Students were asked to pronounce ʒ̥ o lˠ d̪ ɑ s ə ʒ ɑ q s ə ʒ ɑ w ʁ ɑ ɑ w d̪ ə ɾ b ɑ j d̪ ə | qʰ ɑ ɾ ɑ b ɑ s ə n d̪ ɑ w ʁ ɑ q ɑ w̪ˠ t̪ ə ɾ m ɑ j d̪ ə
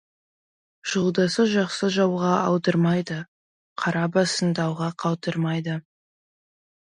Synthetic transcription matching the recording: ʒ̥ o lˠ d̪ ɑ s ə ʒ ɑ q s ə ʒ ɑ w ʁ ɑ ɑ w d̪ ə ɾ m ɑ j d̪ ə | qʰ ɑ ɾ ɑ b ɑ s ə n d̪ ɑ w ʁ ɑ qʰ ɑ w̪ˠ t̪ ə ɾ m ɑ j d̪ ə